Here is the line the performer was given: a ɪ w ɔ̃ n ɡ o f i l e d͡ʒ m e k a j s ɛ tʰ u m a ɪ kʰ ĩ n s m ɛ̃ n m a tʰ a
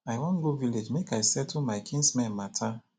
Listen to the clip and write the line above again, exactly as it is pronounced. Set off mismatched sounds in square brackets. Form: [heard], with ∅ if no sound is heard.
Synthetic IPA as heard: a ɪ w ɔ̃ n ɡ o [v] i l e d͡ʒ m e k a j s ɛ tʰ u m a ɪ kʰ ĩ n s m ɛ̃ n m a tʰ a